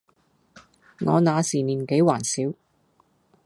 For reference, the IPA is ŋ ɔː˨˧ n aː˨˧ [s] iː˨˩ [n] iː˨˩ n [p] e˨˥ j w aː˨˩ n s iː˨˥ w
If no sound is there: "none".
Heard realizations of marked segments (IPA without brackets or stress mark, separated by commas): s, n, k